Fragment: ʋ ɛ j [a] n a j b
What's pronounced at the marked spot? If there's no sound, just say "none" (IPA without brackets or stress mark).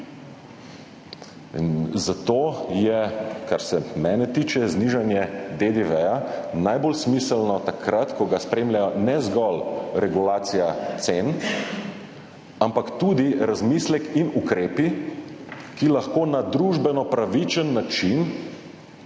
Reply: a